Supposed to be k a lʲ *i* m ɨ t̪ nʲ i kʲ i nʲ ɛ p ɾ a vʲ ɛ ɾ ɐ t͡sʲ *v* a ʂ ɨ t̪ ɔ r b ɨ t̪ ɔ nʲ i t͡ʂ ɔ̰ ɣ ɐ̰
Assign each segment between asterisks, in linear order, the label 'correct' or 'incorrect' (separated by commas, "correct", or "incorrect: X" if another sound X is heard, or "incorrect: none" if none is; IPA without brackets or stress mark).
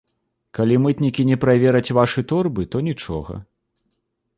correct, correct